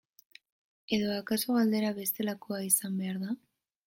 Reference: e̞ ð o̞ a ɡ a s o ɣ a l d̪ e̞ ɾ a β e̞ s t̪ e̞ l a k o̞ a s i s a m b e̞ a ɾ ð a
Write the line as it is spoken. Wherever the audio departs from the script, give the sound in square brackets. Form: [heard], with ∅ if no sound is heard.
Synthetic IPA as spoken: e̞ ð o̞ a [k] a s o ɣ a l d̪ e̞ ɾ a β e̞ s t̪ e̞ l a k o̞ a [∅] i s a m b e̞ a ɾ ð a